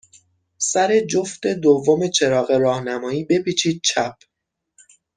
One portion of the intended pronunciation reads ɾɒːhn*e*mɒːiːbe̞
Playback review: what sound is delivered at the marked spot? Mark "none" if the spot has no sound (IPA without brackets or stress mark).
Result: æ